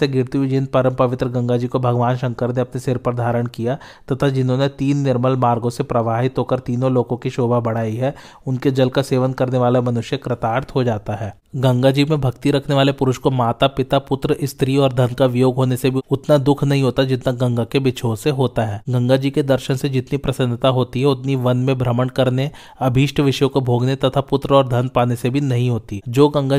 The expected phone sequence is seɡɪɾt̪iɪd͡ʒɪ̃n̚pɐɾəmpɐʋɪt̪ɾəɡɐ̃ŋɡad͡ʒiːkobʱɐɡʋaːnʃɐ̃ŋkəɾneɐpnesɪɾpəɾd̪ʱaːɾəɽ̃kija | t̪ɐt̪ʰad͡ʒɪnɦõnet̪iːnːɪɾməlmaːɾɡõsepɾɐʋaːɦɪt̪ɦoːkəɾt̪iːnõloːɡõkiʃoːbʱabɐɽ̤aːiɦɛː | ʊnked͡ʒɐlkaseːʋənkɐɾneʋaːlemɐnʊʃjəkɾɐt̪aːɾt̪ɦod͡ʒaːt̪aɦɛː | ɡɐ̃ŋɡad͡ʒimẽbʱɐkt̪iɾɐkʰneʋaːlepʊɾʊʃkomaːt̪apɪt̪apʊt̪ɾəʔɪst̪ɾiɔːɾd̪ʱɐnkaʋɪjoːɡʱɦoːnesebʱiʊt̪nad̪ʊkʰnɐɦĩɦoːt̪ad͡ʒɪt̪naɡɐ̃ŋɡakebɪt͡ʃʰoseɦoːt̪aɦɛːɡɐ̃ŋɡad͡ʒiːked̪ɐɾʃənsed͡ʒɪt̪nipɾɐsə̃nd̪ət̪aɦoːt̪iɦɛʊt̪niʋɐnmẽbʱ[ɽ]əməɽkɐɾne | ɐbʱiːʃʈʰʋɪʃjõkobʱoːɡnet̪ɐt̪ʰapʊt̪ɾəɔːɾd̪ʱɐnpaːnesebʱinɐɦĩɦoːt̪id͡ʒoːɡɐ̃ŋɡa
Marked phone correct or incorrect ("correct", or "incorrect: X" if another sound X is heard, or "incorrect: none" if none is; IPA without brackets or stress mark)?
incorrect: ɾ